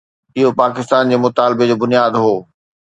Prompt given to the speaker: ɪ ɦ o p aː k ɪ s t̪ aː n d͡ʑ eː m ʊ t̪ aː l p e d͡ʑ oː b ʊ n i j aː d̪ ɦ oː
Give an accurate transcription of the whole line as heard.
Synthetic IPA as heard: ɪ ɦ o p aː k ɪ s t̪ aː n d͡ʑ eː m ʊ t̪ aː l b e d͡ʑ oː b ʊ n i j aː d̪ ɦ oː